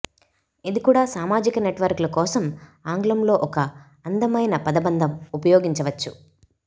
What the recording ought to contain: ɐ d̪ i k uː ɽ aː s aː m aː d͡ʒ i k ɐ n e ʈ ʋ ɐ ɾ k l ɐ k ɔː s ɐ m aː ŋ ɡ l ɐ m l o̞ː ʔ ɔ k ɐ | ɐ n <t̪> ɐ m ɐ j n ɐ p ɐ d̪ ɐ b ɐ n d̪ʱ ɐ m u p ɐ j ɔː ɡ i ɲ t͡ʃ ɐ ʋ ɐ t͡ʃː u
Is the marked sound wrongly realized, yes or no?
yes